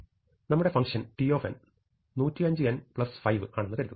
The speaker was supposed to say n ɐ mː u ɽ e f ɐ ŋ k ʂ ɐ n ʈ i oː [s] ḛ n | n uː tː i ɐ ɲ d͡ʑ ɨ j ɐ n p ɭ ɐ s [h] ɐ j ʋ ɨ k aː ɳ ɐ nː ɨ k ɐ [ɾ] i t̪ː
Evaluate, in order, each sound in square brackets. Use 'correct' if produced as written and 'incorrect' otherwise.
incorrect: f, incorrect: f, correct

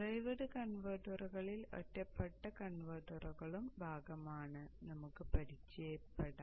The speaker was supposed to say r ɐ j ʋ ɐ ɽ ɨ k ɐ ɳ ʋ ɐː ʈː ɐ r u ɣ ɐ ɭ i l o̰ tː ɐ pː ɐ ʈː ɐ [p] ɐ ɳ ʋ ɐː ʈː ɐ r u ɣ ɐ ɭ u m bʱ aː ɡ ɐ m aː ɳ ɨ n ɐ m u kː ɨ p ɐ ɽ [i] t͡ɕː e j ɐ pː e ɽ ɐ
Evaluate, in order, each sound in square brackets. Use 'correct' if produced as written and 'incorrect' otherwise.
incorrect: k, correct

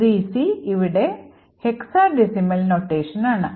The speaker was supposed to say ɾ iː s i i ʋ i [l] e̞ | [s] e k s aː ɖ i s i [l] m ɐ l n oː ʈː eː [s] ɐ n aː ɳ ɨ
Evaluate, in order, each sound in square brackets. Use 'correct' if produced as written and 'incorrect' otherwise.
incorrect: ɽ, incorrect: h, incorrect: none, incorrect: ʂ

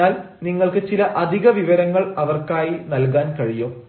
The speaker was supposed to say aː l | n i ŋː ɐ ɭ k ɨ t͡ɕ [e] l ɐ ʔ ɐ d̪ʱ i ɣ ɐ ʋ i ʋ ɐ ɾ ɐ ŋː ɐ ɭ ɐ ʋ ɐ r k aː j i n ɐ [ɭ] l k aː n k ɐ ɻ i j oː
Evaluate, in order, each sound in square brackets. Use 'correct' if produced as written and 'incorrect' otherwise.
incorrect: i, incorrect: none

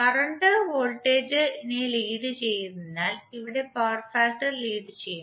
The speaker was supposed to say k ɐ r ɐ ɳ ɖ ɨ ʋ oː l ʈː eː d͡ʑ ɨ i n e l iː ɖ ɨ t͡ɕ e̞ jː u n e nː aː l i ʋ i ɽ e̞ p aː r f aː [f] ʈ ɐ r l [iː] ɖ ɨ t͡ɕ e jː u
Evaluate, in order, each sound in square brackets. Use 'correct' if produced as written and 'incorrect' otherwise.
incorrect: s, correct

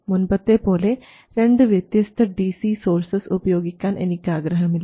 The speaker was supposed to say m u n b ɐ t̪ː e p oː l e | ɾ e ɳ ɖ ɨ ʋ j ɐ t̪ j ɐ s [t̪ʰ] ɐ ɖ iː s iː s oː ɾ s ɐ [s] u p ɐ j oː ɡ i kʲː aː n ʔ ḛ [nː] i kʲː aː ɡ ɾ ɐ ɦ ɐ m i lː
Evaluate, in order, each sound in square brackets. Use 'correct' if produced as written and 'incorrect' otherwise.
correct, correct, incorrect: n

